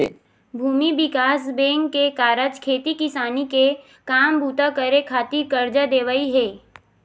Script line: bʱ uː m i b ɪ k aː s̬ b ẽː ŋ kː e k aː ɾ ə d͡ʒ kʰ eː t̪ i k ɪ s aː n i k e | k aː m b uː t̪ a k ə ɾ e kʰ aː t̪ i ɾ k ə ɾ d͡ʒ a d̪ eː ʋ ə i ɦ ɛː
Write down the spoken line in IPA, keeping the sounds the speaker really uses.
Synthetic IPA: bʱ uː m i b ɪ k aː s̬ b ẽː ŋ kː e k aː ɾ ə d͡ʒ kʰ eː t̪ i k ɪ s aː n i k e | k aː m b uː t̪ a k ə ɾ e kʰ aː t̪ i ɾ k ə ɾ d͡ʒ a d̪ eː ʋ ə i ɦ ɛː